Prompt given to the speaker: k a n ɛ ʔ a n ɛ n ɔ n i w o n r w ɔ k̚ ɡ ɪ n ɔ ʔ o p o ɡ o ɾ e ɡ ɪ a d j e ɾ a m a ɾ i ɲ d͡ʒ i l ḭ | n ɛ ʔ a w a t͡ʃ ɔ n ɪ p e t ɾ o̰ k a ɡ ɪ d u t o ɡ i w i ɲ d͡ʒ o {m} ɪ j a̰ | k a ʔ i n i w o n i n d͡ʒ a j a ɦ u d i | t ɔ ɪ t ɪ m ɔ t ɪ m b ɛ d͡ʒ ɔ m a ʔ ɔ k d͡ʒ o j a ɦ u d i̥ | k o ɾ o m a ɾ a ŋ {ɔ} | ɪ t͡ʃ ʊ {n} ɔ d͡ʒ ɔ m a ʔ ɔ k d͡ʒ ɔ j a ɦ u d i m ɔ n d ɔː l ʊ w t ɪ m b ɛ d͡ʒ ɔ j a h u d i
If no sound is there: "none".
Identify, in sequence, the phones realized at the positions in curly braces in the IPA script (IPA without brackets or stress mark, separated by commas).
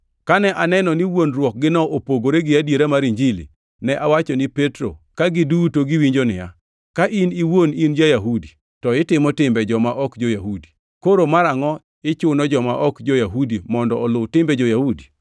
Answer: n, ɔ, n